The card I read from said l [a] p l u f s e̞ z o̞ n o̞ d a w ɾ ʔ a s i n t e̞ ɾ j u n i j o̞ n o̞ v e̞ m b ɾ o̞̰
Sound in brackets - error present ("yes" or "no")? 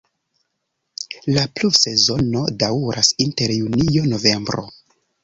no